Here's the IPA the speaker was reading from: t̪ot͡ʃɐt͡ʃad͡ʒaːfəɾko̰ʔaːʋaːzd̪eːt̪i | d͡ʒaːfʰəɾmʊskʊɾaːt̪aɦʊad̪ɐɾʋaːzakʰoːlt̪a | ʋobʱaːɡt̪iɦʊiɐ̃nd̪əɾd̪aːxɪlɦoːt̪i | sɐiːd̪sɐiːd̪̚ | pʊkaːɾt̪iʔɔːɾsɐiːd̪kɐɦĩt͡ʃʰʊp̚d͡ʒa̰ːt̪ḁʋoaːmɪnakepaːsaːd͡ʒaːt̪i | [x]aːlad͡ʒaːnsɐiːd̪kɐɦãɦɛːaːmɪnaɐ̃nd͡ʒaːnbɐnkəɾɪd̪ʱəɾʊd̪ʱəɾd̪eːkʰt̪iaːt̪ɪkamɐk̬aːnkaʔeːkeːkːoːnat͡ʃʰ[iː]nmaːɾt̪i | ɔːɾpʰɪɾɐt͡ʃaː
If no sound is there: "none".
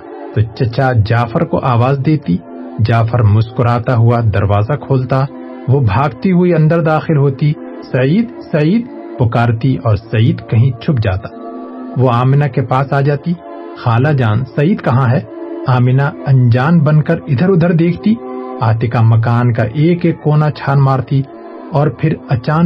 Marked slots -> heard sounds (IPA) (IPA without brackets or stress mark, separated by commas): x, aː